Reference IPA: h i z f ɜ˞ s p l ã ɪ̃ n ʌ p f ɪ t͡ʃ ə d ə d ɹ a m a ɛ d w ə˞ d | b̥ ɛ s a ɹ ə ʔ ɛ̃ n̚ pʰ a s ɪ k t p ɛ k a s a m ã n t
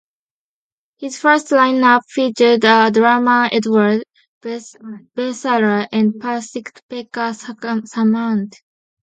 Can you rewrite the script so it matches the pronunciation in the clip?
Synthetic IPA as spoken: h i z f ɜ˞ s t l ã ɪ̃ n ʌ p f i t͡ʃ ə d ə d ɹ a m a ɛ d w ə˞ d | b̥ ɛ s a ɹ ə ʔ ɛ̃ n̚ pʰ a s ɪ k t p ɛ k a s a m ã n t